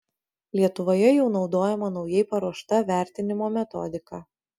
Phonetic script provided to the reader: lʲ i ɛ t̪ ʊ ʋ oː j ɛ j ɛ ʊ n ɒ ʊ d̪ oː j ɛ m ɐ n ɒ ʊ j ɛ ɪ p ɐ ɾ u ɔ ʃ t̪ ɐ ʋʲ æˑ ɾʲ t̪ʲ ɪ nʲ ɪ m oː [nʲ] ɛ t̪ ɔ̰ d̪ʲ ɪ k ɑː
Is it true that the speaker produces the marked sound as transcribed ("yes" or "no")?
no